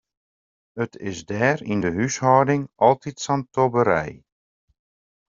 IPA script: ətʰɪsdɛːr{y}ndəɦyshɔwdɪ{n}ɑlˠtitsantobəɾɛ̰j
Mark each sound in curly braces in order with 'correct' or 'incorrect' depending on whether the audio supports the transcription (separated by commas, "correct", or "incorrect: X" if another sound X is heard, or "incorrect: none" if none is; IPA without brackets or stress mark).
incorrect: i, incorrect: ŋ